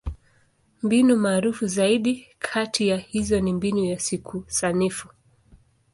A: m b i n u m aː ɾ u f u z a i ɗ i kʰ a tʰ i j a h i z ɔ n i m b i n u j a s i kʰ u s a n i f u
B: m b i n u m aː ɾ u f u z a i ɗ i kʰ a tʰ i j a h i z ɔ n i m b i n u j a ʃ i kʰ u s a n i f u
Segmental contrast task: A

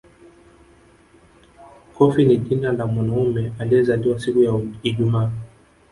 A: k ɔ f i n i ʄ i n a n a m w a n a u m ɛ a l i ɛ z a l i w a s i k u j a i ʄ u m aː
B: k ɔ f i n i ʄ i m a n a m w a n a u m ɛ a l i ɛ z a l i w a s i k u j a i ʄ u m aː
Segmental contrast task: A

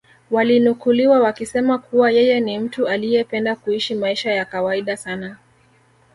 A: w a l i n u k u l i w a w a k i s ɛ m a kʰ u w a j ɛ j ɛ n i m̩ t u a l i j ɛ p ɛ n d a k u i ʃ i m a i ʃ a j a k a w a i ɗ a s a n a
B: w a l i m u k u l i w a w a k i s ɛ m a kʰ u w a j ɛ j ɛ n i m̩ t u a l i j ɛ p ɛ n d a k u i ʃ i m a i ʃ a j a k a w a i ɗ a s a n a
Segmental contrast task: A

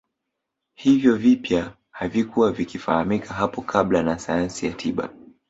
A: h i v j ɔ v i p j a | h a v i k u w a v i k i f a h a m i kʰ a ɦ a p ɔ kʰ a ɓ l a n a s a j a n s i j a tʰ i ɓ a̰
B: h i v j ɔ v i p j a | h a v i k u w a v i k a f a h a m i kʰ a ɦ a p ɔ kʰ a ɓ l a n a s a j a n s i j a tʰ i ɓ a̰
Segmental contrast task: A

